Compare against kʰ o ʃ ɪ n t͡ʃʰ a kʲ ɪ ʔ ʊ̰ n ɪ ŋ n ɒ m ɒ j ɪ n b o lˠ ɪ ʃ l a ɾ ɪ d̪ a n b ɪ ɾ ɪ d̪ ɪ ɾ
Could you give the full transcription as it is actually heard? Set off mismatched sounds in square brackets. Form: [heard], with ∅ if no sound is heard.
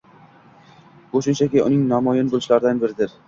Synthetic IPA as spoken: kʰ o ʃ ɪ n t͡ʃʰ a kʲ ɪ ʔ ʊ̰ n ɪ ŋ n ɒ m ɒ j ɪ n b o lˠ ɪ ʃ l a ɾ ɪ d̪ a n b ɪ ɾ ɪ d̪ ɪ ɾ